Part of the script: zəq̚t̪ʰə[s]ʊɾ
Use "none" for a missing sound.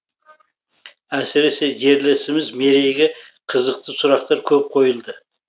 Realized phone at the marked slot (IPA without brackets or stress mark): s